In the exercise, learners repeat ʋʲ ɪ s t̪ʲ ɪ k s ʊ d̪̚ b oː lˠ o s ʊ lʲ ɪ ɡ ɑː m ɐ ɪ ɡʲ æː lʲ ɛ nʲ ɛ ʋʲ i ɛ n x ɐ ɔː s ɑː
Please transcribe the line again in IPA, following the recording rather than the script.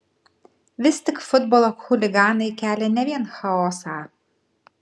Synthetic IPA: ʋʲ ɪ s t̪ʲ ɪ k f ʊ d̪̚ b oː lˠ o x ʊ lʲ ɪ ɡ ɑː n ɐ ɪ kʲ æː lʲ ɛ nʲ ɛ ʋʲ i ɛ n x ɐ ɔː s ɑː